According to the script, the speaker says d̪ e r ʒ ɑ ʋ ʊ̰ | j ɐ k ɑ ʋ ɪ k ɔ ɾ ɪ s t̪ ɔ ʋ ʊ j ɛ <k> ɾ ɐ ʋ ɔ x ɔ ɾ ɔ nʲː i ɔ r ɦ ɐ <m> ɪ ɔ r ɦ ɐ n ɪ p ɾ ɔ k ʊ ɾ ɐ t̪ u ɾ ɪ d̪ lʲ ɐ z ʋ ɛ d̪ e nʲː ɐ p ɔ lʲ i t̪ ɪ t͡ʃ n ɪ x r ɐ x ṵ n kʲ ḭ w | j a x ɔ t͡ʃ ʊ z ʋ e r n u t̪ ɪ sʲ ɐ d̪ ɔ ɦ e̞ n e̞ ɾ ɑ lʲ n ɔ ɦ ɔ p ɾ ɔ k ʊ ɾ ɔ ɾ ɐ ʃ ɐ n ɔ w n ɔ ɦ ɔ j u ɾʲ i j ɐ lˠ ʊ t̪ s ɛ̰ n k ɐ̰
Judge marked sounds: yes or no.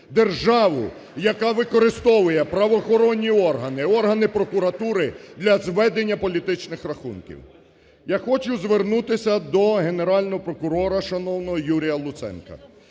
no, no

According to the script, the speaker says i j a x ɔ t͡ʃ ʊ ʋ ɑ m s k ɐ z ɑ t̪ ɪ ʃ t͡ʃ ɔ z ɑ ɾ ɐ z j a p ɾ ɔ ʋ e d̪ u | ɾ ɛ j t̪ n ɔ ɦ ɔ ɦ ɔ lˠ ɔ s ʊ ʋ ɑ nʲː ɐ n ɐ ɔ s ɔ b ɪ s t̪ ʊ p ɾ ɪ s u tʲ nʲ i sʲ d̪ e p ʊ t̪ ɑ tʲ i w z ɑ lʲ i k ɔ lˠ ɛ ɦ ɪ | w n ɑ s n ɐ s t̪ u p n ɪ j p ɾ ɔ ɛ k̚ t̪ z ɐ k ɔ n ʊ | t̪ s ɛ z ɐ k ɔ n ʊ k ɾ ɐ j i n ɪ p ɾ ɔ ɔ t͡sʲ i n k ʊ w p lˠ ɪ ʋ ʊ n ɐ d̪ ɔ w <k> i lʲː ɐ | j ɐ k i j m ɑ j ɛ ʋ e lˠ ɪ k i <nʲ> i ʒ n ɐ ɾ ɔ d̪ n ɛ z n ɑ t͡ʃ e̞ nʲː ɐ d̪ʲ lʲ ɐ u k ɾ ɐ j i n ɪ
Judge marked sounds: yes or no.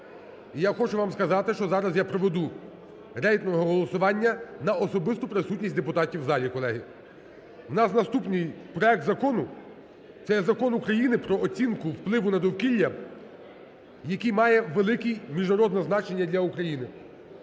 yes, no

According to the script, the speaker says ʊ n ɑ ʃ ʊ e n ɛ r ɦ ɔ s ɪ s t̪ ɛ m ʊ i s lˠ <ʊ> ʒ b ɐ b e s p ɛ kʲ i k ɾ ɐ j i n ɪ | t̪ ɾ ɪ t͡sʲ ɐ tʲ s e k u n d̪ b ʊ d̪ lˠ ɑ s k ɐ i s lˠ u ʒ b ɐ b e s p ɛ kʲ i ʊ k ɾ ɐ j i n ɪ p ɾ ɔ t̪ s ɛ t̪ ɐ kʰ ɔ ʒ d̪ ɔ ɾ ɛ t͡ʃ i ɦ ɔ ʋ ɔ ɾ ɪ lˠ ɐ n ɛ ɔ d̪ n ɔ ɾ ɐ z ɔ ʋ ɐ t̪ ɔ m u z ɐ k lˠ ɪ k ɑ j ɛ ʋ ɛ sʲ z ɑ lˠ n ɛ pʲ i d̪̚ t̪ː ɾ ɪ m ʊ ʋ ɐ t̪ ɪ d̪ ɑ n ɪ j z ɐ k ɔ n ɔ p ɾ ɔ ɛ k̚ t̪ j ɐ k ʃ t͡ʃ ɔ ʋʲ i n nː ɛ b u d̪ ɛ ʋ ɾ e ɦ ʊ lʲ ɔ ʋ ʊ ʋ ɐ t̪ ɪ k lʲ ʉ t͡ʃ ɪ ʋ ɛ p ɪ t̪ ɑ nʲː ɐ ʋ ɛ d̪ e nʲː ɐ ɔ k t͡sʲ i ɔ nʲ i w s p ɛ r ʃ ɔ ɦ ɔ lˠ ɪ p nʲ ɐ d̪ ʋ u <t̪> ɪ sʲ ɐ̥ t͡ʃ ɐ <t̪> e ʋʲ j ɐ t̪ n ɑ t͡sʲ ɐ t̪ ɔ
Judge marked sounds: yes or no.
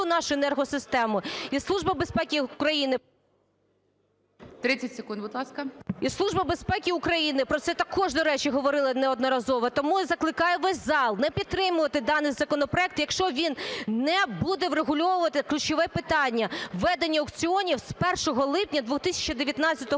no, yes, no

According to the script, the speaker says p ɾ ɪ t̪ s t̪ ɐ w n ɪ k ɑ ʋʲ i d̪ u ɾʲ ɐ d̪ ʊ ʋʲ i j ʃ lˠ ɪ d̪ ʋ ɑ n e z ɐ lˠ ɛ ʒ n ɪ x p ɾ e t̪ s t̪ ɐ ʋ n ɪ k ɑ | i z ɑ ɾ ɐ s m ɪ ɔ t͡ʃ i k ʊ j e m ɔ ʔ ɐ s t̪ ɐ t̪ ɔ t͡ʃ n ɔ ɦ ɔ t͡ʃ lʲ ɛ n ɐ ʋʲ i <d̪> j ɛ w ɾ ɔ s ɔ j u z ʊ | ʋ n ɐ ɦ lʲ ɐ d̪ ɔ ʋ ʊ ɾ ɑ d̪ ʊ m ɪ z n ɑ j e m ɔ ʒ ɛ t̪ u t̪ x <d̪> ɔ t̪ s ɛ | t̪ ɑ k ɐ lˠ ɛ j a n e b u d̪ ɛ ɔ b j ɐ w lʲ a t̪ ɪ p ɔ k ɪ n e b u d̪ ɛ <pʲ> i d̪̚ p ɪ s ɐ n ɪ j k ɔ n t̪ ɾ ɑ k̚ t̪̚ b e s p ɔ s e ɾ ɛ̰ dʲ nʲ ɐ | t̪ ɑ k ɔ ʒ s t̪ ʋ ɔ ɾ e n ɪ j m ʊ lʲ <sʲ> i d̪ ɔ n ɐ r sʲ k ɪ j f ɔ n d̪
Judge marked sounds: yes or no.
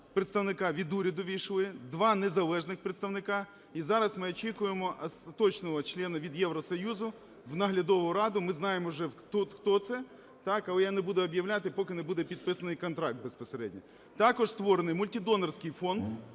yes, no, yes, no

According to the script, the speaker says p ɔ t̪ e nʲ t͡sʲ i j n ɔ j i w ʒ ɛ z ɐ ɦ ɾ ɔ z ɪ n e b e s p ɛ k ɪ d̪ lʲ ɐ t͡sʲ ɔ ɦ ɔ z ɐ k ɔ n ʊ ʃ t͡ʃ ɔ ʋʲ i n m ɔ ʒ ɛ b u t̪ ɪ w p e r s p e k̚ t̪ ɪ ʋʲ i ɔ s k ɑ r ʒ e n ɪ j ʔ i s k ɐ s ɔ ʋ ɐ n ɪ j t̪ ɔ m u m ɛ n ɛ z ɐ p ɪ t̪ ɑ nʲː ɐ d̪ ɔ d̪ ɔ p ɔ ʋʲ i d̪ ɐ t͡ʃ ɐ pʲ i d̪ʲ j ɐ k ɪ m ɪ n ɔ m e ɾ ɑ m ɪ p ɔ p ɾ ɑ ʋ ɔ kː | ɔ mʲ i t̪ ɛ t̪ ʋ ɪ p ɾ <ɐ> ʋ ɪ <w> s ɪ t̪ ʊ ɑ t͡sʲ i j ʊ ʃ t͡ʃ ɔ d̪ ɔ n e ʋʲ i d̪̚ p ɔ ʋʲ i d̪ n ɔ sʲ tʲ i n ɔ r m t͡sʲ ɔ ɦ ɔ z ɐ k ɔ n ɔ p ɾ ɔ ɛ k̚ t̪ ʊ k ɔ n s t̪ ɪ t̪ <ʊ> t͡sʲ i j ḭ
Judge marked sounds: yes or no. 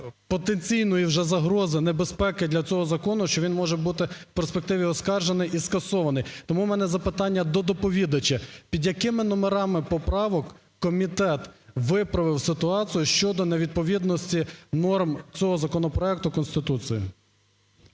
yes, yes, no

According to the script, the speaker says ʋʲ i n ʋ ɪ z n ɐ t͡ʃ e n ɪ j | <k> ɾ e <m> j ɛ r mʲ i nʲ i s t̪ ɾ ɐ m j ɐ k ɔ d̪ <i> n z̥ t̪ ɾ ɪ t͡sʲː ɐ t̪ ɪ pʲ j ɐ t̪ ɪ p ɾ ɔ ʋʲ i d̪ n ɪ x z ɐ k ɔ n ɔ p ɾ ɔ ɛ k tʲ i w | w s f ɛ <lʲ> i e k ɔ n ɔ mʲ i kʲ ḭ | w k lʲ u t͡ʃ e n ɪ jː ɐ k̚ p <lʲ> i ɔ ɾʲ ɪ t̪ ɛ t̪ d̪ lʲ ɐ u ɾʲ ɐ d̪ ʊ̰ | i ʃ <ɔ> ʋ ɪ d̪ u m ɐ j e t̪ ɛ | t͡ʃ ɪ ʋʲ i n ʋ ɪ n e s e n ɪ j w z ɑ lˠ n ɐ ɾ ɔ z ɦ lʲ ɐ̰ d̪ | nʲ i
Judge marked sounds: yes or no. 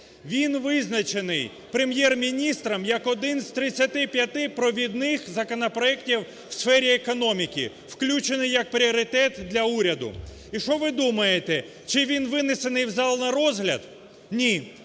no, yes, no, no, no, yes

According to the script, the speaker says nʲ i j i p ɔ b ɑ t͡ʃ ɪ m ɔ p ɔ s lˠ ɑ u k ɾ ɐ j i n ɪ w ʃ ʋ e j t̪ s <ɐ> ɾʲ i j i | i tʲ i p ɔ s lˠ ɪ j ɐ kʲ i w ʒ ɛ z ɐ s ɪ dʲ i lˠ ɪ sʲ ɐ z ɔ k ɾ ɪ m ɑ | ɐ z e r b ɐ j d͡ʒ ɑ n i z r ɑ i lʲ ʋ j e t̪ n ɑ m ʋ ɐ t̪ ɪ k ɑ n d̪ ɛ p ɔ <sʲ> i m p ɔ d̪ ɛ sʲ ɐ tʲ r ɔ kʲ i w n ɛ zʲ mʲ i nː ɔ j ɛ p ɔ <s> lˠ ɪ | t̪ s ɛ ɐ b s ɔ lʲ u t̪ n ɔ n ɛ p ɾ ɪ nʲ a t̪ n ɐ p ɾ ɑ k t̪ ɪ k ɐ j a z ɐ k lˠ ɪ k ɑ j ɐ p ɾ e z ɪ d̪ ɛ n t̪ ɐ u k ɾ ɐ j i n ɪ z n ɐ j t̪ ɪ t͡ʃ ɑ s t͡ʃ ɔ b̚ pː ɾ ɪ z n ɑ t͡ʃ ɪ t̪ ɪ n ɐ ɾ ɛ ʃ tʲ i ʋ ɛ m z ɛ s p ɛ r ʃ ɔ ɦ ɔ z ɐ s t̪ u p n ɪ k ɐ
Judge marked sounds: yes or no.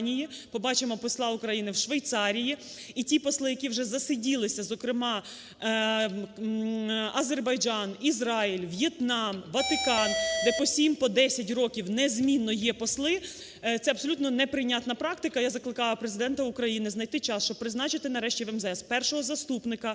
no, yes, yes

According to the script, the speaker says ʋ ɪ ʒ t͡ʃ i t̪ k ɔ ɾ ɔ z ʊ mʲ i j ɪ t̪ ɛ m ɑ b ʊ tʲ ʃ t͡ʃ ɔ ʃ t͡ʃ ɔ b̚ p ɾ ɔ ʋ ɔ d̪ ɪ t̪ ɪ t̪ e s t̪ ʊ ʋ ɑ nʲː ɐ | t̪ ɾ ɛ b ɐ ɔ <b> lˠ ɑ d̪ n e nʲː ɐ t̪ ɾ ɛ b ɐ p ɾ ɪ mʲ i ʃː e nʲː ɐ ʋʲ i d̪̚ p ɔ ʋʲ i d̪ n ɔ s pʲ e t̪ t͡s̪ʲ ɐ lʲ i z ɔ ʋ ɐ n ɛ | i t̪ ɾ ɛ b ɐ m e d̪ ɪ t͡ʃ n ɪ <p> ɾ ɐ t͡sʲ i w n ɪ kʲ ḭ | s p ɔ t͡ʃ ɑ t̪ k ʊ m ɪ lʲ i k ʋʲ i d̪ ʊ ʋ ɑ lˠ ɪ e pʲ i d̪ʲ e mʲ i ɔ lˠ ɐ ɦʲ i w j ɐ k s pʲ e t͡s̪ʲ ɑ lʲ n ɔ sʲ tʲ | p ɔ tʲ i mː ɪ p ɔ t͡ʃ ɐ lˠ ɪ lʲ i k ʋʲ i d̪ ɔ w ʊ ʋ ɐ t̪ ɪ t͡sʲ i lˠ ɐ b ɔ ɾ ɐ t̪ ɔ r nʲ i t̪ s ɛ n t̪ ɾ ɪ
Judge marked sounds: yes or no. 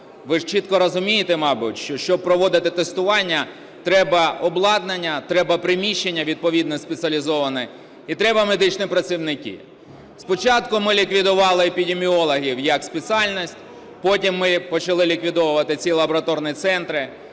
yes, yes

